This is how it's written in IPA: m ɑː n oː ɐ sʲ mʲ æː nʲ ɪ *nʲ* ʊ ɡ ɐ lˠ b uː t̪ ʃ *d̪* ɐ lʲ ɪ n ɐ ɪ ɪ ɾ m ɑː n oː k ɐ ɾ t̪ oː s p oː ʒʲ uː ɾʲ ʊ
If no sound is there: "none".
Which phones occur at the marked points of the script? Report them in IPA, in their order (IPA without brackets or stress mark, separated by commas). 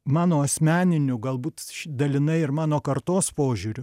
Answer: nʲ, d̪